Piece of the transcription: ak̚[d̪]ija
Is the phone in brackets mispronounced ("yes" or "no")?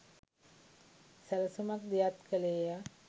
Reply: no